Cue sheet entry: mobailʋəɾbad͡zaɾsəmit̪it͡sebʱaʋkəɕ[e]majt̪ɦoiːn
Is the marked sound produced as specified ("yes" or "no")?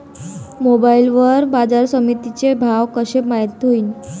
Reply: yes